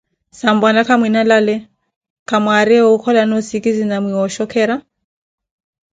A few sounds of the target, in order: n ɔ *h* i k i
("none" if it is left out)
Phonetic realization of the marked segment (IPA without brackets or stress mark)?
s